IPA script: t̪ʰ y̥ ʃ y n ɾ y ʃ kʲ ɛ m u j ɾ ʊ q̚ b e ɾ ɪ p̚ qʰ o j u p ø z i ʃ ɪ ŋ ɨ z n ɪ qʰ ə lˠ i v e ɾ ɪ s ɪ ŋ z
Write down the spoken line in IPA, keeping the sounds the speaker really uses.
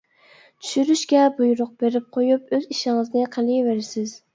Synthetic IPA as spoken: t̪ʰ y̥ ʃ y ɾ y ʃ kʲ ɛ b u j ɾ ʊ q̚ b e ɾ ɪ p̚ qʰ o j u p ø z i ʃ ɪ ŋ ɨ z n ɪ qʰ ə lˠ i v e ɾ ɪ s ɪ z

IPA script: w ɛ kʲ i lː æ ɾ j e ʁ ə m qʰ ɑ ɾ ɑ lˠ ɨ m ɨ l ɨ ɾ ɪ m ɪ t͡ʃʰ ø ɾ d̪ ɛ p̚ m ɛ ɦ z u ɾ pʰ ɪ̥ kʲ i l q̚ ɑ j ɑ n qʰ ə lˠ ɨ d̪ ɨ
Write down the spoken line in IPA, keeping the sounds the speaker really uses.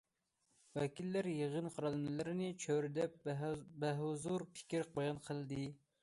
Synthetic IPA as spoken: w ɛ kʲ i lː æ ɾ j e ʁ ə n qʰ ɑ ɾ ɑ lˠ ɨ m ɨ l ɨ ɾ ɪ n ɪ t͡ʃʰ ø ɾ d̪ ɛ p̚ b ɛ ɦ z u ɾ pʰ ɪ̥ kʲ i ɾ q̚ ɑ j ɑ n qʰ ə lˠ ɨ d̪ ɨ

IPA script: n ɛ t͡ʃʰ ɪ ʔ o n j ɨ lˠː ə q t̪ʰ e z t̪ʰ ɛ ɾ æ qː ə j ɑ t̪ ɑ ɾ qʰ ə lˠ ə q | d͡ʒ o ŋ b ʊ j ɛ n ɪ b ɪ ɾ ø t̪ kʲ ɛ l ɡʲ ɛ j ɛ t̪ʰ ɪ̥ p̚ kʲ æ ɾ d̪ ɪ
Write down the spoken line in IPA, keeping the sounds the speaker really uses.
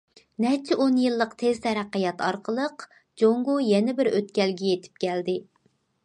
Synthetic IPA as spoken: n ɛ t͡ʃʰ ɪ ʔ o n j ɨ lˠː ə q t̪ʰ e z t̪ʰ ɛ ɾ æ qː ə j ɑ t̪ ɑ ɾ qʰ ə lˠ ə q | d͡ʒ o ŋ ɡ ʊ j ɛ n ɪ b ɪ ɾ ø t̪ kʲ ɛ l ɡʲ ɛ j e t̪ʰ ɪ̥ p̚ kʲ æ l d̪ ɪ

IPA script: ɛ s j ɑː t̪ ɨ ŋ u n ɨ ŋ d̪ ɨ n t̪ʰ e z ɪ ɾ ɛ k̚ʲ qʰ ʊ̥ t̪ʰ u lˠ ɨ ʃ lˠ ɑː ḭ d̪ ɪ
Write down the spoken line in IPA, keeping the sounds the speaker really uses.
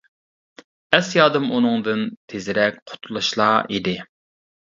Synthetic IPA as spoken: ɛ s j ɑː d̪ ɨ m u n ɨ ŋ d̪ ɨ n t̪ʰ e z ɪ ɾ ɛ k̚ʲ qʰ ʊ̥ t̪ʰ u lˠ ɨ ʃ lˠ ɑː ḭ d̪ ɪ

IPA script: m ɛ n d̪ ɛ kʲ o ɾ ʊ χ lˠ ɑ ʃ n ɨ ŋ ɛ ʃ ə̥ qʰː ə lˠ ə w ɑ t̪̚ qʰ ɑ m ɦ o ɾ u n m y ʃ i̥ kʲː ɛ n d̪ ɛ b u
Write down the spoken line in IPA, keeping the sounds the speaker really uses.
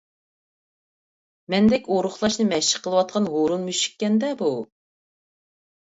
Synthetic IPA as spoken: m ɛ n d̪ ɛ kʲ o ɾ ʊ χ lˠ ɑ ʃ n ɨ m ɛ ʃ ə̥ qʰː ə lˠ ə w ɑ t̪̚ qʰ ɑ n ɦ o ɾ u n m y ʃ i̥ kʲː ɛ n d̪ ɛ b u

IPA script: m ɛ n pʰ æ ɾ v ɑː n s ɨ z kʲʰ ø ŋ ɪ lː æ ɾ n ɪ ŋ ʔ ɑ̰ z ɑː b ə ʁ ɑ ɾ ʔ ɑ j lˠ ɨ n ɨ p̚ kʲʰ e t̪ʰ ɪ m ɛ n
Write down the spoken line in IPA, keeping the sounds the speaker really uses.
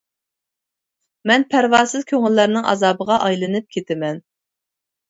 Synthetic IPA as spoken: m ɛ n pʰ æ ɾ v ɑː s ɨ z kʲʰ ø ŋ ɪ lː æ ɾ n ɪ ŋ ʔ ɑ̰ z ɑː b ə ʁ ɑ ʔ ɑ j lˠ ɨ n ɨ p̚ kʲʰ e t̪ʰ ɪ m ɛ n

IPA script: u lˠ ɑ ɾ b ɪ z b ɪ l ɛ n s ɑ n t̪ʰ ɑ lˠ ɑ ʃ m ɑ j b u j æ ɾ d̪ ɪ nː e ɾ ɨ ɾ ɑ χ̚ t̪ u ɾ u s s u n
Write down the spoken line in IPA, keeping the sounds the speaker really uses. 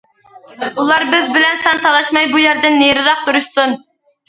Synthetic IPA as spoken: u lˠ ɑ ɾ b ɪ z b ɪ l ɛ n s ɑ n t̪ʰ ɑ lˠ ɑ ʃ m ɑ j b u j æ ɾ d̪ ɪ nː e ɾ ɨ ɾ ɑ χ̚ t̪ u ɾ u ʃ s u n

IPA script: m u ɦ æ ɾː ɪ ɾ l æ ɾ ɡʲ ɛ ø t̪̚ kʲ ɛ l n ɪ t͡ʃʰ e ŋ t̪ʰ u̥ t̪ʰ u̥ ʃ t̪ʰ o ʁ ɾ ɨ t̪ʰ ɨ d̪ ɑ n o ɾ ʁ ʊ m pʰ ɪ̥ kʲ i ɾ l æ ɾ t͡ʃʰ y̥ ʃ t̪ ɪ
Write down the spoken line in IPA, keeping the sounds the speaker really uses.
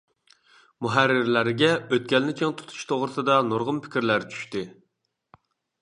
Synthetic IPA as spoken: m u ɦ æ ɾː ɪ ɾ l æ ɾ ɡʲ ɛ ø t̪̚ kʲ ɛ l n ɪ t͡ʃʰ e ŋ t̪ʰ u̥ t̪ʰ u̥ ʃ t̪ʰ o ʁ ɾ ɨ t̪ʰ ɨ d̪ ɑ n o ɾ ʁ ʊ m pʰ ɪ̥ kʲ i ɾ l æ ɾ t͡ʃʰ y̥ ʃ t̪ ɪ

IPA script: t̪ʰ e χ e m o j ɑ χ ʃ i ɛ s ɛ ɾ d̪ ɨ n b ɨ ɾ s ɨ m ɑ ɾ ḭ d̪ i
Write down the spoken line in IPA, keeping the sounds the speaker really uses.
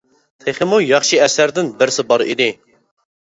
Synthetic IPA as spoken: t̪ʰ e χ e m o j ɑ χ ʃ i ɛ s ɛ ɾ d̪ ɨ n b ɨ ɾ s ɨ b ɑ ɾ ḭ d̪ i

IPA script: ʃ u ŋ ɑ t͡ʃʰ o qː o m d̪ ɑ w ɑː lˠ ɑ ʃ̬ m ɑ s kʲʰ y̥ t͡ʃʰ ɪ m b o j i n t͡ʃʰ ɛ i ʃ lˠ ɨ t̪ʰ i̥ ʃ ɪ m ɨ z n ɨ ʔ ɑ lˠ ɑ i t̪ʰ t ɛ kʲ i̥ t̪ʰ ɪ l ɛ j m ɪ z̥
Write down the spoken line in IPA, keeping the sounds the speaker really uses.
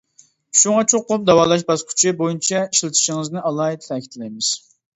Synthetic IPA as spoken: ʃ u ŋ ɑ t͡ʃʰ o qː o m d̪ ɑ w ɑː lˠ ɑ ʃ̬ b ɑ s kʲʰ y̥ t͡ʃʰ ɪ b o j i n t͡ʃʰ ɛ i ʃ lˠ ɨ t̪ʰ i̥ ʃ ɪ ŋ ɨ z n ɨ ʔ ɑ lˠ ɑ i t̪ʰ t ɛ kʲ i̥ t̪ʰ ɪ l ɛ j m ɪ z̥

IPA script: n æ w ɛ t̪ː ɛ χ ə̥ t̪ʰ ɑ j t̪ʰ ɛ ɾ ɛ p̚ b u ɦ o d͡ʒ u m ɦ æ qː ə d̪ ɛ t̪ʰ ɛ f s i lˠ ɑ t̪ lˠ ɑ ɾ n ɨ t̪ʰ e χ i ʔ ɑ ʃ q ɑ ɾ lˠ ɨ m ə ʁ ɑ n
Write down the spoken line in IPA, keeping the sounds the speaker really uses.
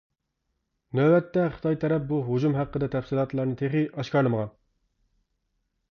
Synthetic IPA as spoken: n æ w ɛ t̪ː ɛ χ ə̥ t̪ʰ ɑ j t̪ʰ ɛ ɾ ɛ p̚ b u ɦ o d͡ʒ u m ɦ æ qː ə d̪ ɛ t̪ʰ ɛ f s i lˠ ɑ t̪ lˠ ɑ ɾ n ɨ t̪ʰ e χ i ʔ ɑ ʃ k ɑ ɾ lˠ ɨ m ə ʁ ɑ n

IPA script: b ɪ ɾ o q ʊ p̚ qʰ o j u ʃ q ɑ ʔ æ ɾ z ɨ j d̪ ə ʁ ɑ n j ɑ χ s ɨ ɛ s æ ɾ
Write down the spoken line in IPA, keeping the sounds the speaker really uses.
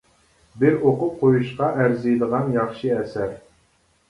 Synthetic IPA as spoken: b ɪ ɾ o q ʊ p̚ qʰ o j u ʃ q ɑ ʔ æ ɾ z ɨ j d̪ ə ʁ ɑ n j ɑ χ ʃ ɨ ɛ s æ ɾ

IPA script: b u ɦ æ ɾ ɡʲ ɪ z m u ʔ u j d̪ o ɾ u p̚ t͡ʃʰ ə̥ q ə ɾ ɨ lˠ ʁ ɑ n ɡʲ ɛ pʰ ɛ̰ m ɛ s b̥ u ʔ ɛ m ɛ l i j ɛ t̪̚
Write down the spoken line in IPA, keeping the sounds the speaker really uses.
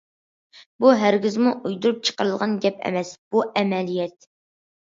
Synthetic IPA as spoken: b u ɦ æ ɾ ɡʲ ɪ z m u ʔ u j d̪ u ɾ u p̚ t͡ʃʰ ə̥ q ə ɾ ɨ lˠ ʁ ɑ n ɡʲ ɛ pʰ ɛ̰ m ɛ s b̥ u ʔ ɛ m ɛ l i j ɛ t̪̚

